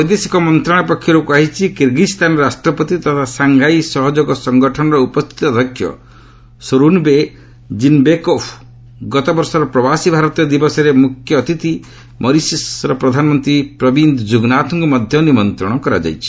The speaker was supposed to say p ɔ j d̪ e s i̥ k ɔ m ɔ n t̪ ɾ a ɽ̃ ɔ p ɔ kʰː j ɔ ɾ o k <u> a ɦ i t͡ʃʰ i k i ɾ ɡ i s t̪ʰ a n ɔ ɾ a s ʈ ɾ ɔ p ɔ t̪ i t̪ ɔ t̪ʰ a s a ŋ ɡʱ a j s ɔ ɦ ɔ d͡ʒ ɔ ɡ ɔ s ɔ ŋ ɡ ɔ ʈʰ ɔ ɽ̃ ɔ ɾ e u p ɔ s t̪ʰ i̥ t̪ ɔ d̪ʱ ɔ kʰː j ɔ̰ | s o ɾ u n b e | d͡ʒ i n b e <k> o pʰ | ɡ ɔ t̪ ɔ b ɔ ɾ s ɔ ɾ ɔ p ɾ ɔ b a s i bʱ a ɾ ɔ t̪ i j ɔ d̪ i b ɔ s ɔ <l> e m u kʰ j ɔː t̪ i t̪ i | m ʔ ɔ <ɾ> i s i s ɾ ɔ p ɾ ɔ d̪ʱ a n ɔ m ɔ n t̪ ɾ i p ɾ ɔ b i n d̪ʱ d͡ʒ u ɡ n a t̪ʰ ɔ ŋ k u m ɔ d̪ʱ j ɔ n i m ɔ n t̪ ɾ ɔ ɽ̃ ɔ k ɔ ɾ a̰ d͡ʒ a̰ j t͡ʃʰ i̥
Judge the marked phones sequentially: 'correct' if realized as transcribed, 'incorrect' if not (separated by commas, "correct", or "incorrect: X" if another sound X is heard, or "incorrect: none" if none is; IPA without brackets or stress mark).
correct, correct, incorrect: ɾ, correct